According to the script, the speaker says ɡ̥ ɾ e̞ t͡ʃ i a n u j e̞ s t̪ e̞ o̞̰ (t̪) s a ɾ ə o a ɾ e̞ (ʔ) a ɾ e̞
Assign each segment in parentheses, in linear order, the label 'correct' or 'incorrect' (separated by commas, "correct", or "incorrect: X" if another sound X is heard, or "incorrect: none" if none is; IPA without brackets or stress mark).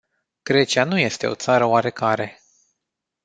correct, incorrect: k